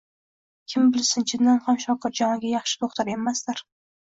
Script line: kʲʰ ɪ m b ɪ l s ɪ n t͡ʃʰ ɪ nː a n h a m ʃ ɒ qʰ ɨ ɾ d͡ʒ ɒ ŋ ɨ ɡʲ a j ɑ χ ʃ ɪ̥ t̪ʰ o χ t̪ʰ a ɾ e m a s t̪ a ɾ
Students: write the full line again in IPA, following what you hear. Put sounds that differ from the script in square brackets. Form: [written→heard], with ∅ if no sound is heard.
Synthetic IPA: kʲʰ ɪ m b ɪ l s ɪ n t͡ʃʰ ɪ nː a n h a m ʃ ɒ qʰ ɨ ɾ d͡ʒ ɒ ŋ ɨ ɡʲ a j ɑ χ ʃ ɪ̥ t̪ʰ o χ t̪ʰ a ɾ e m a s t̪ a ɾ